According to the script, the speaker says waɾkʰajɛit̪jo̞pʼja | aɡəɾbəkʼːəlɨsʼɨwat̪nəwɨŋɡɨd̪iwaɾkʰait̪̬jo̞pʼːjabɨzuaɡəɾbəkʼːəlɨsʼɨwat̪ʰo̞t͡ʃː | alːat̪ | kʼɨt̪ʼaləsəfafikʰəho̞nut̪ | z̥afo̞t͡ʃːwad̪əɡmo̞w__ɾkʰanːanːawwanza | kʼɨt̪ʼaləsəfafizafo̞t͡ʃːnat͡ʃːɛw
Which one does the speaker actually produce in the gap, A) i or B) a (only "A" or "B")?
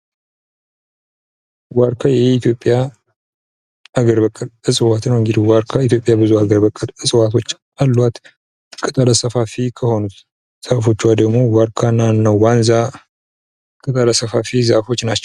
B